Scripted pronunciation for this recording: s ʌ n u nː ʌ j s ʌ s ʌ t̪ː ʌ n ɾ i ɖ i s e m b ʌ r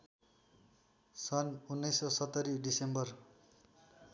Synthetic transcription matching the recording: s ʌ n u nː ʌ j s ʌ s ʌ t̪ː ʌ ɾ i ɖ i s e m b ʌ r